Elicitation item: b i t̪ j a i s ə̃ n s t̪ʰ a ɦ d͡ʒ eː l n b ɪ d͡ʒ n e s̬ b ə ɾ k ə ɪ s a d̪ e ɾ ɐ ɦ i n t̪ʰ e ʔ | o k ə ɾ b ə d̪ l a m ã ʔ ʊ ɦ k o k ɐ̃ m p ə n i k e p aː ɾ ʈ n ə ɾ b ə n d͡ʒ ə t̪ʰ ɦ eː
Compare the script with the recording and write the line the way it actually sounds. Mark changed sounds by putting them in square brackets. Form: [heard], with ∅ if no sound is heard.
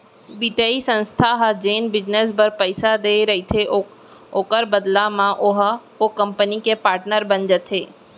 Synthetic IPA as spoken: b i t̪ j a i s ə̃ n s t̪ʰ a ɦ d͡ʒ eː [∅] n b ɪ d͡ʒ n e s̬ b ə ɾ [p] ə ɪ s a d̪ e ɾ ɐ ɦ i [∅] t̪ʰ e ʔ | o k ə ɾ b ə d̪ l a m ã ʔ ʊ ɦ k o k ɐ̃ m p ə n i k e p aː ɾ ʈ n ə ɾ b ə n d͡ʒ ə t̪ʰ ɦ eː

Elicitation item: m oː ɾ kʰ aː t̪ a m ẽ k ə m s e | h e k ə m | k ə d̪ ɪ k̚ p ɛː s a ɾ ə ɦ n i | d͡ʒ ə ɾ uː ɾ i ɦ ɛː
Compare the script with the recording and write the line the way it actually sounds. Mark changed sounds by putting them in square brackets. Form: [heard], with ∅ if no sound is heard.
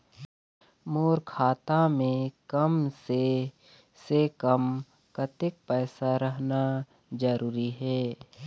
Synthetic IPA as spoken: m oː ɾ kʰ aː t̪ a m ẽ k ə m s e | [s] e k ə m | k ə [t̪] ɪ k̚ p ɛː s a ɾ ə ɦ n [a] | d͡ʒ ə ɾ uː ɾ i ɦ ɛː

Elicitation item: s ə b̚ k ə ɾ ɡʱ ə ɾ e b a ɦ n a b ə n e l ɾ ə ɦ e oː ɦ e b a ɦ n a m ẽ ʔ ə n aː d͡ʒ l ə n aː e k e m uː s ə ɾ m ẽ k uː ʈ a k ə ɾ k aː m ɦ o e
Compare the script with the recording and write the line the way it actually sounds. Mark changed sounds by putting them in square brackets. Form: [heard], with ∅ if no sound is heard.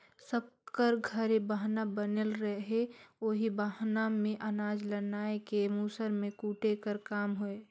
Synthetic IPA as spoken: s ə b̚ k ə ɾ ɡʱ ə ɾ e b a ɦ n a b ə n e l ɾ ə ɦ e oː ɦ [i] b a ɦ n a m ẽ ʔ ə n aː d͡ʒ l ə n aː e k e m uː s ə ɾ m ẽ k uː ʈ [e] k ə ɾ k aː m ɦ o e

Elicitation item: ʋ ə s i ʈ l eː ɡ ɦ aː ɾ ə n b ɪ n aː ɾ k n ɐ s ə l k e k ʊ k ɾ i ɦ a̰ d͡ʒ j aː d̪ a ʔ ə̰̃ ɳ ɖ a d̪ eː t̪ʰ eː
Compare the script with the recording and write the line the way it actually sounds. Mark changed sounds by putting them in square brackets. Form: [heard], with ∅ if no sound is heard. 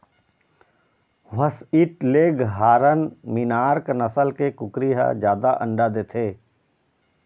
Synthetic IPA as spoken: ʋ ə s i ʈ l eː ɡ ɦ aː ɾ ə n [m] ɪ n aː ɾ k n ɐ s ə l k e k ʊ k ɾ i ɦ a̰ d͡ʒ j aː d̪ a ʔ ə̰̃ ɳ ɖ a d̪ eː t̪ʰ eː

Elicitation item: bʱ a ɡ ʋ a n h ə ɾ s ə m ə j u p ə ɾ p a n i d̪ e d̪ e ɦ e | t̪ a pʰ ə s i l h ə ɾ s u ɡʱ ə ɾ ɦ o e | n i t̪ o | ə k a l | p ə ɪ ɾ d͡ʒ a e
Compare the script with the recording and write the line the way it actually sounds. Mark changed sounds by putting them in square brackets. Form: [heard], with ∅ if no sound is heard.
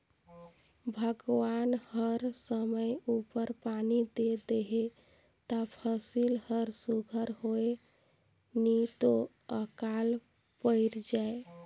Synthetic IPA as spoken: bʱ [ə] ɡ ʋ a n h ə ɾ s ə m ə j u p ə ɾ p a n i d̪ e d̪ e ɦ e | t̪ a pʰ ə s i l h ə ɾ s u ɡʱ ə ɾ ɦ o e | n i t̪ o | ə k a l | p ə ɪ ɾ d͡ʒ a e

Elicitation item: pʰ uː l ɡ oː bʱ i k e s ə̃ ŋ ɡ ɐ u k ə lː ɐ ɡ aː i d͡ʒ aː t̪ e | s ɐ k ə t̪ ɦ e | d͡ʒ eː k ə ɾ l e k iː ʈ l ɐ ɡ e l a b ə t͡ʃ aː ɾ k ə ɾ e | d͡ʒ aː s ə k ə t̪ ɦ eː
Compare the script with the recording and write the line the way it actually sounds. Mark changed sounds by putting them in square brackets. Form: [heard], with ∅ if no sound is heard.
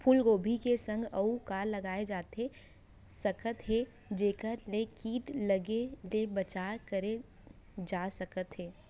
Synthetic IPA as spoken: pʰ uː l ɡ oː bʱ i k e s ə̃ ŋ ɡ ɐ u k [a] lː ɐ ɡ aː [e] d͡ʒ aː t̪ e | s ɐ k ə t̪ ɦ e | d͡ʒ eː k ə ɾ l e k iː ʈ l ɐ ɡ e l [e] b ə t͡ʃ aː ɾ k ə ɾ e | d͡ʒ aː s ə k ə t̪ ɦ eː

